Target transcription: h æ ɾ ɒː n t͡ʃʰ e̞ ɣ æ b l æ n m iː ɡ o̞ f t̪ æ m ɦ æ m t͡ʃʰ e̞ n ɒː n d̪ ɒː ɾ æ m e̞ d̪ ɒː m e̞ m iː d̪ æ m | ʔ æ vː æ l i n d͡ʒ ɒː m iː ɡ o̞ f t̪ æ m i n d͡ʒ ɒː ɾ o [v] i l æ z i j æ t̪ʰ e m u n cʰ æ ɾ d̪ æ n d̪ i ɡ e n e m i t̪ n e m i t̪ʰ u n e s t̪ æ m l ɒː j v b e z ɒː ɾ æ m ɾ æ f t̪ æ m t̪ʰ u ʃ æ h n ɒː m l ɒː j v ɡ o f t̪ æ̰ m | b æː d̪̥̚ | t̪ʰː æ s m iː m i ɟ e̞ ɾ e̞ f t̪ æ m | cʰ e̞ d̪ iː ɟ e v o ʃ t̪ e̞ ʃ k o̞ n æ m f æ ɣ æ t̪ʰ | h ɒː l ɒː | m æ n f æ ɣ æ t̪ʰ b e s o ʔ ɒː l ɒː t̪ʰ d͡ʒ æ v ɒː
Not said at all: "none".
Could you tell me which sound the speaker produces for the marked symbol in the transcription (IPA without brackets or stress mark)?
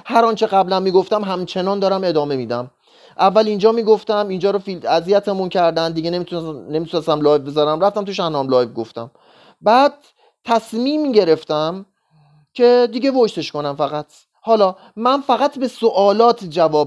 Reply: f